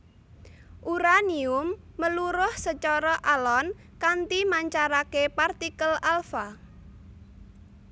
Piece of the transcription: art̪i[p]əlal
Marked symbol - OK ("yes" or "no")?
no